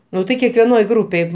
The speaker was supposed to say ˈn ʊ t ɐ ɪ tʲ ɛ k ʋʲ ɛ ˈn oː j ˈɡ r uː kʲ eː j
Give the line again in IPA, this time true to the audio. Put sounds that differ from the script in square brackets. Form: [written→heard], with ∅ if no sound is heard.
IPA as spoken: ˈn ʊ t ɐ ɪ [tʲ→kʲ] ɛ k ʋʲ ɛ ˈn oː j ˈɡ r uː [kʲ→pʲ] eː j

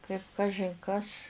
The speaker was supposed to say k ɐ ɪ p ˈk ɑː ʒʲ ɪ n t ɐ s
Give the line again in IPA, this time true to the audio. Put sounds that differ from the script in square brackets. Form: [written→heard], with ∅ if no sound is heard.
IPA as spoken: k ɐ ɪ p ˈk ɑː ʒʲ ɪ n [t→k] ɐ s

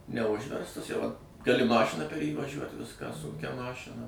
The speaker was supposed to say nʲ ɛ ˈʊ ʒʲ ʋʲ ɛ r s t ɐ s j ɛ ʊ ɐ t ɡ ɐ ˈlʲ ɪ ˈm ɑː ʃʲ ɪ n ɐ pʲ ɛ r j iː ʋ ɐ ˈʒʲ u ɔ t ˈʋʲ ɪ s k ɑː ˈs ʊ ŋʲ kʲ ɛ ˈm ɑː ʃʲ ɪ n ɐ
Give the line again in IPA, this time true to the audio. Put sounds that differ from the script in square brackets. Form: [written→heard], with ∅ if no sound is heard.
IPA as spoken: nʲ ɛ ˈʊ ʒʲ ʋʲ ɛ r s t ɐ s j ɛ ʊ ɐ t ɡ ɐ ˈlʲ ɪ ˈm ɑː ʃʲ ɪ n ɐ pʲ ɛ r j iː ʋ ɐ ˈʒʲ u ɔ t ˈʋʲ ɪ s k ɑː ˈs ʊ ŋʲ kʲ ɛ ˈm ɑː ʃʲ ɪ n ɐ

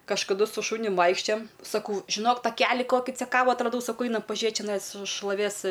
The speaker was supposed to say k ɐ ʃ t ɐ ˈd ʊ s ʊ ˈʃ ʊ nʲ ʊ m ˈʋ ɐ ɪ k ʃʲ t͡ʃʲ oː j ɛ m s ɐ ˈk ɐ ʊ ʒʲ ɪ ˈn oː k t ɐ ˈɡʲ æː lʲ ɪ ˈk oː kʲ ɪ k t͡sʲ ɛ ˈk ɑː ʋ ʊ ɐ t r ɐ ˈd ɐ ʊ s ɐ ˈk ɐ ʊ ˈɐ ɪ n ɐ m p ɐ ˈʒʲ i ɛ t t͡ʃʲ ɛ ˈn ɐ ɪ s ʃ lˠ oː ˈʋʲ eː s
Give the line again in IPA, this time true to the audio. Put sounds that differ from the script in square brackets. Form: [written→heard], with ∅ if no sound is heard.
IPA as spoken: k ɐ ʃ [t→k] ɐ ˈd ʊ s ʊ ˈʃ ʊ nʲ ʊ m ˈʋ ɐ ɪ k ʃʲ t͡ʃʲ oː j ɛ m s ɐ ˈk ɐ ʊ ʒʲ ɪ ˈn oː k t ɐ [ˈɡʲ→ˈkʲ] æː lʲ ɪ ˈk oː kʲ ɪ [k→∅] t͡sʲ ɛ ˈk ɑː ʋ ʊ ɐ t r ɐ ˈd ɐ ʊ s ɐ ˈk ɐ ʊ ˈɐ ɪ n ɐ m p ɐ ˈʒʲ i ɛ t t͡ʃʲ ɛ ˈn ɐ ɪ s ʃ lˠ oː ˈʋʲ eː s

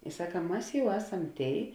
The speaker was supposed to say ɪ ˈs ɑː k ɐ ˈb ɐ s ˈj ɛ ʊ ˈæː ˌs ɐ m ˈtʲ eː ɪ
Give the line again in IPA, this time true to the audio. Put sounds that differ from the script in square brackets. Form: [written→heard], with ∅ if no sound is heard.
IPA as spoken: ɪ ˈs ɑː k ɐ [ˈb→ˈm] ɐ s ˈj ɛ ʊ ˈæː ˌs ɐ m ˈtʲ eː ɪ

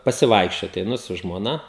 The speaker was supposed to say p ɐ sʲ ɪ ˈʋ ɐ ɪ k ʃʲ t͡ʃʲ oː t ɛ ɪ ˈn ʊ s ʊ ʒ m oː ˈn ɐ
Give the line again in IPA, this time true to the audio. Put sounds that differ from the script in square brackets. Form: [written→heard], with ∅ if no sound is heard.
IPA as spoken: p ɐ sʲ ɪ ˈʋ ɐ ɪ k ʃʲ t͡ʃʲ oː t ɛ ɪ ˈn ʊ s ʊ ʒ m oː ˈn ɐ

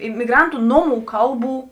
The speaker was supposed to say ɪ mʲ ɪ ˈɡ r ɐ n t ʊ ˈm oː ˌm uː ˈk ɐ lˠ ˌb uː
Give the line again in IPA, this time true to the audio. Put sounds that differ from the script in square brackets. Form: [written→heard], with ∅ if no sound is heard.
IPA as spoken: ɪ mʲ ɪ ˈɡ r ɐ n t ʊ [ˈm→ˈn] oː ˌm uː ˈk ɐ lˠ ˌb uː

